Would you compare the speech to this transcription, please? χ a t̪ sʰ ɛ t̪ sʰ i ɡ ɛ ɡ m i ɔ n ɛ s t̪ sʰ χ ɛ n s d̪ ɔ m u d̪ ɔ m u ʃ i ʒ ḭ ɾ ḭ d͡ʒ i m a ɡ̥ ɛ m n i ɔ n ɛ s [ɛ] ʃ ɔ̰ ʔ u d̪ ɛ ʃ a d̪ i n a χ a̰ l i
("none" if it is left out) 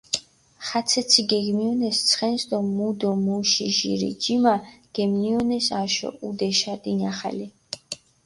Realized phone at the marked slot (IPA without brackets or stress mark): a